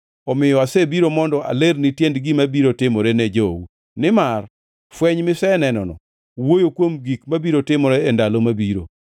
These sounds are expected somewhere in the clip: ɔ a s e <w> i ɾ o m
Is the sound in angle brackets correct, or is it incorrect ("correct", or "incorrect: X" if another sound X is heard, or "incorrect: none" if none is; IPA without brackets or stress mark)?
incorrect: b